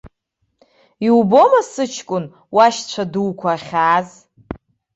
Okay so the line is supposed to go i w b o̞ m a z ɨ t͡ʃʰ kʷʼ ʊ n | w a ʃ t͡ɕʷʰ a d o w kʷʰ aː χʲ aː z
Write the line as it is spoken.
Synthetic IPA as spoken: i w b o̞ m a s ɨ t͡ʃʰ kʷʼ ʊ n | w a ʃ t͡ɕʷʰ a d u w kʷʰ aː χʲ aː z